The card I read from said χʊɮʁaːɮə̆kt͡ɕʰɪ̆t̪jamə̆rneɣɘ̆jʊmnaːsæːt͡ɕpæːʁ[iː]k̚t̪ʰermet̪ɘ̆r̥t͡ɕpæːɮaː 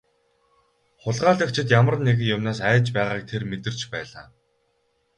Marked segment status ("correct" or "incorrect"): incorrect